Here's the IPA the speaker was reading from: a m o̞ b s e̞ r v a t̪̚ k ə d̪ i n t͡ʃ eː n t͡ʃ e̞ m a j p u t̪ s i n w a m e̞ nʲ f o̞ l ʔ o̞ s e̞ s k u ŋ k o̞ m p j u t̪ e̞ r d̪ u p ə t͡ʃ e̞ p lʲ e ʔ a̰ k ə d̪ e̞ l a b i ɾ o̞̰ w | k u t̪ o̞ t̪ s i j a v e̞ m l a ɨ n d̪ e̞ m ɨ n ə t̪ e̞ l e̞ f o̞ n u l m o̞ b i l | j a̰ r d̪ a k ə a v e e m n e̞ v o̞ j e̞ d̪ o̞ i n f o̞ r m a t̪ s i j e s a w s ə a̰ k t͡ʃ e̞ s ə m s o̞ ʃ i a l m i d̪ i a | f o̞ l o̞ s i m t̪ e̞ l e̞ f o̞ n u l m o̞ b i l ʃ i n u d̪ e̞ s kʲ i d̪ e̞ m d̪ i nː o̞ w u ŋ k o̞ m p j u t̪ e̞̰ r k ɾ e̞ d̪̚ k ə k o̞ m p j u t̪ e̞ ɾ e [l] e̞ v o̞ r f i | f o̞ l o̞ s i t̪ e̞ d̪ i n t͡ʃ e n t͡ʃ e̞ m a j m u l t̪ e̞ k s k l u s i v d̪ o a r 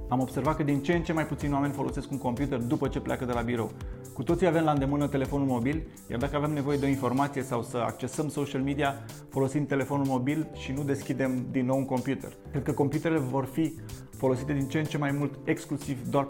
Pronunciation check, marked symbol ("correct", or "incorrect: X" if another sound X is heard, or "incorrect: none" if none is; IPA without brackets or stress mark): correct